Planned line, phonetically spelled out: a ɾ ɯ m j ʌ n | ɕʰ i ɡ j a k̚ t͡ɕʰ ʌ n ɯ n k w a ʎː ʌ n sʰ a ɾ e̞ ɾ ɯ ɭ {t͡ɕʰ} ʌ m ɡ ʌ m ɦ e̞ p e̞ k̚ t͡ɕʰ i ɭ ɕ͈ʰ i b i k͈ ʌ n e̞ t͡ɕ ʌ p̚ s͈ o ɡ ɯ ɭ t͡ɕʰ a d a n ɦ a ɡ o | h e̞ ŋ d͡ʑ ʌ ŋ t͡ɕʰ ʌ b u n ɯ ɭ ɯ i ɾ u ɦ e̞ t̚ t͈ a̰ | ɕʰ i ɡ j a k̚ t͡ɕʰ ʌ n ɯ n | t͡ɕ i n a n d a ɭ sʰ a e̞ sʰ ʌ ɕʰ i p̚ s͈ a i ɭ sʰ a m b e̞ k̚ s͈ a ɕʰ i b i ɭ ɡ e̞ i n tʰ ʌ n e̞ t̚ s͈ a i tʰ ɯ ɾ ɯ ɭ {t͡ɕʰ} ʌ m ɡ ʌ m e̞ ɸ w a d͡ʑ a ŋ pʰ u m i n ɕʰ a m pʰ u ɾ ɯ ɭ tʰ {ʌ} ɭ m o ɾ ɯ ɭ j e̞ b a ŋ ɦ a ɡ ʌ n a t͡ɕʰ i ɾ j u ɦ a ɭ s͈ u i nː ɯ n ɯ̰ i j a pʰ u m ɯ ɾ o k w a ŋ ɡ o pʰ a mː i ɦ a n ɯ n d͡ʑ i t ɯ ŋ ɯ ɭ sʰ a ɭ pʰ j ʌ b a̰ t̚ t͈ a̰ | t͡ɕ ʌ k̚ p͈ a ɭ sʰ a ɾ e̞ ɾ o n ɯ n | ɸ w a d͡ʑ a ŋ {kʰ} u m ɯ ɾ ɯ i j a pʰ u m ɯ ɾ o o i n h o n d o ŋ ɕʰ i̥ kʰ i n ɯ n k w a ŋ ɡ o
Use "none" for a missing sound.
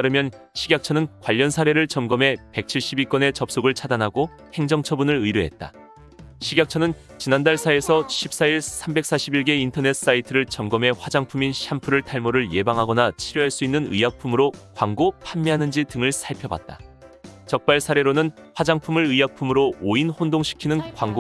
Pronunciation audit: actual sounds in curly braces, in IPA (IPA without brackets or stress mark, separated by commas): t͡ɕ, t͡ɕ, a, pʰ